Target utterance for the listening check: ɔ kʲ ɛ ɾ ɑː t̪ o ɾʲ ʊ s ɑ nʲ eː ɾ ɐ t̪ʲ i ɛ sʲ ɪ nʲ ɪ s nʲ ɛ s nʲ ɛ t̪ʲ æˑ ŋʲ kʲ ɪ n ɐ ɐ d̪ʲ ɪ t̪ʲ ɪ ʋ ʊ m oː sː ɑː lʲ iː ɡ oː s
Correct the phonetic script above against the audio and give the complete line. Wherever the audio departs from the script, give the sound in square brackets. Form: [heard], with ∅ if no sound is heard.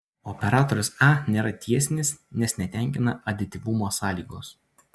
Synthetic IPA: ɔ [pʲ] ɛ ɾ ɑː t̪ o ɾʲ ʊ s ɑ nʲ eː ɾ ɐ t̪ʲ i ɛ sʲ ɪ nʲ ɪ s nʲ ɛ s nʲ ɛ t̪ʲ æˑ ŋʲ kʲ ɪ n ɐ ɐ d̪ʲ ɪ t̪ʲ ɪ ʋ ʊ m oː [s] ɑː lʲ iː ɡ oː s